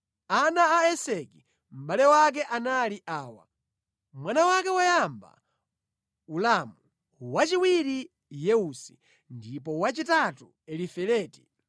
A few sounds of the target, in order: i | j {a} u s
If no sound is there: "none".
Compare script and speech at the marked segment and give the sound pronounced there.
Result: ɛ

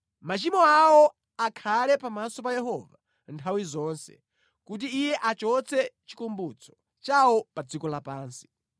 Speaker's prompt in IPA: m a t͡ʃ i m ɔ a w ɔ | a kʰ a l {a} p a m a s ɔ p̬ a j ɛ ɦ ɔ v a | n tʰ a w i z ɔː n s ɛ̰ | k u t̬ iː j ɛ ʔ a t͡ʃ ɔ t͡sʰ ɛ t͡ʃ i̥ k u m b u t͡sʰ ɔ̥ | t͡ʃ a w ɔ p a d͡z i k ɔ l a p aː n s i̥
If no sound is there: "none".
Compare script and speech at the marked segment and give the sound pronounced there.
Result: ɛ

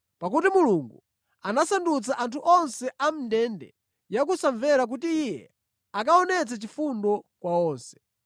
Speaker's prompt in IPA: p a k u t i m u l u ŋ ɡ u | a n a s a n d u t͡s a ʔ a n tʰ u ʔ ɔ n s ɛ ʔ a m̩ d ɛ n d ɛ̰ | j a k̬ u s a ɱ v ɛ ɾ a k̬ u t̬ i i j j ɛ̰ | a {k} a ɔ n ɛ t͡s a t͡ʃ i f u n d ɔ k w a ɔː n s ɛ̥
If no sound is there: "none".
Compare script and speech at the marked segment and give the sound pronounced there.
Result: k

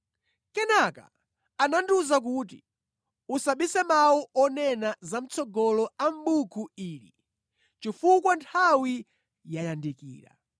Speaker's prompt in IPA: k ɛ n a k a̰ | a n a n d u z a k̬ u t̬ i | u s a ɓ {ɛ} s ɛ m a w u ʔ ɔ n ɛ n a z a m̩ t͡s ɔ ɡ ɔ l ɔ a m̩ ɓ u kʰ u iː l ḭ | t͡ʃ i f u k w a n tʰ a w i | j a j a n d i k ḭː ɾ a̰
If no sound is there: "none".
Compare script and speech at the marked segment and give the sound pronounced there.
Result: i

